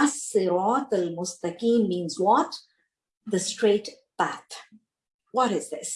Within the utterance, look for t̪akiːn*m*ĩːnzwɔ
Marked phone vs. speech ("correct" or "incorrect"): correct